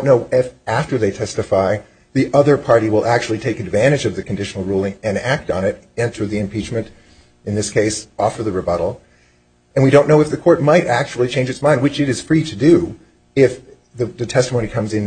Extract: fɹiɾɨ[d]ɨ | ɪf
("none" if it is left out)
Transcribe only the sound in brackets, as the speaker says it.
d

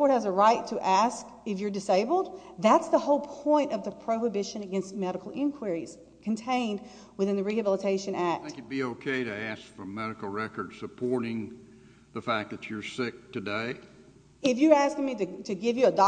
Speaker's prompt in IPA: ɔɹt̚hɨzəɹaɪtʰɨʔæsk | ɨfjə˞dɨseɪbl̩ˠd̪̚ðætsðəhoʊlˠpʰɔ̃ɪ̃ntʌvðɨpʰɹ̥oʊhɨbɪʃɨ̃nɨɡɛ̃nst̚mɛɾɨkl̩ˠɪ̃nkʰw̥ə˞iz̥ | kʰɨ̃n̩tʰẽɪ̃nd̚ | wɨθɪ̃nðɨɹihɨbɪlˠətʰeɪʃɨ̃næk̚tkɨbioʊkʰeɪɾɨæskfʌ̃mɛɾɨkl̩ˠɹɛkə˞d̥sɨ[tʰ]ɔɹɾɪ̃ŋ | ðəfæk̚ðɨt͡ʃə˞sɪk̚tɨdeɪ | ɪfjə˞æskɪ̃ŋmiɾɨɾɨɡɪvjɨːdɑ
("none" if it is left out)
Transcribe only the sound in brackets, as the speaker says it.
pʰ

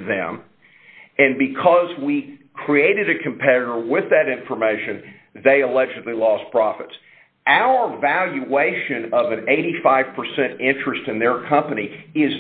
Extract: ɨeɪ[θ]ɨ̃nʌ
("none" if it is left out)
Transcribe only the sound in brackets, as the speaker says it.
ʃ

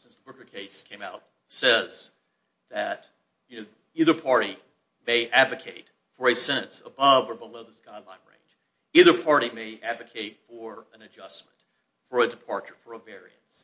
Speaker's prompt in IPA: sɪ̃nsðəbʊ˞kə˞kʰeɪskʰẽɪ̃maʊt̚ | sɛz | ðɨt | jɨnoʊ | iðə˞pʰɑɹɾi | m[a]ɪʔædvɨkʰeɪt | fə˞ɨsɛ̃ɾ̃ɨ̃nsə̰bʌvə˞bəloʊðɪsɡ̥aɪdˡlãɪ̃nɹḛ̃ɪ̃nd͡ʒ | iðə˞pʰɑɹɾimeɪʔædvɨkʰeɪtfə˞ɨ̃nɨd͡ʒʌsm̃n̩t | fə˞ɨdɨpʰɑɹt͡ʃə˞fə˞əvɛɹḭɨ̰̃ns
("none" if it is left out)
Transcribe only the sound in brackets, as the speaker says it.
e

